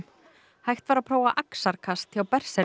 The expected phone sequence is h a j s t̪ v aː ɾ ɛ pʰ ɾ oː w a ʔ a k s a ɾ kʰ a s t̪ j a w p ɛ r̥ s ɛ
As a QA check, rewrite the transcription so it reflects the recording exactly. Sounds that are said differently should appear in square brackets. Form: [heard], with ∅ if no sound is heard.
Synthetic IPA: h a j [x] t̪ v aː ɾ [a] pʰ ɾ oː w a ʔ a k s a ɾ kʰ a s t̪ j a w p ɛ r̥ s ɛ